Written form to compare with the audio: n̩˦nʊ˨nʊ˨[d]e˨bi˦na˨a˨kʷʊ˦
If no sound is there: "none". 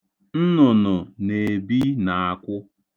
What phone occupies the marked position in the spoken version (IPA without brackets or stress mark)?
n